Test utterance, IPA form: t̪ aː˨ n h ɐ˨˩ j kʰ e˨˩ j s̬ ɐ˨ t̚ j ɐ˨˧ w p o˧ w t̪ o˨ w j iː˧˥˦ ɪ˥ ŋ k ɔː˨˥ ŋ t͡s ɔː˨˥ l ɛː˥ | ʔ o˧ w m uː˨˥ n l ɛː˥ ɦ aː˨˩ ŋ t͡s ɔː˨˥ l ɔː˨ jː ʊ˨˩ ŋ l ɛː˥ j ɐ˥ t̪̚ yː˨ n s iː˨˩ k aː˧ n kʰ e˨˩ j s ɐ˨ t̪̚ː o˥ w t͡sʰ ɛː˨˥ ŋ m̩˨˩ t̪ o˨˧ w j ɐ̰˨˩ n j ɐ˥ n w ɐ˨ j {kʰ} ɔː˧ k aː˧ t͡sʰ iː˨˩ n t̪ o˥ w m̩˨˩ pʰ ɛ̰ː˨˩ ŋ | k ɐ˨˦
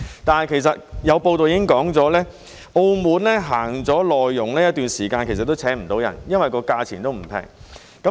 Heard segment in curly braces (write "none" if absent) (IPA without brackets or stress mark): k